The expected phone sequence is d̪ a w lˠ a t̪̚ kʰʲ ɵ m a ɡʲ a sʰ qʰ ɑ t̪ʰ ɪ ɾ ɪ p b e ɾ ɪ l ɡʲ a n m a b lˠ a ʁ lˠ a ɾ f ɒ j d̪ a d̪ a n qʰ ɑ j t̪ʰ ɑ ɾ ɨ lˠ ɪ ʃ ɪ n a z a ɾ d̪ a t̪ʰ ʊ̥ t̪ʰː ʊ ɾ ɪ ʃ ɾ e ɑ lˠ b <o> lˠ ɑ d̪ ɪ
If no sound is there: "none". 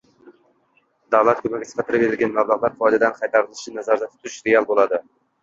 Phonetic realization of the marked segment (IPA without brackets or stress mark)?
o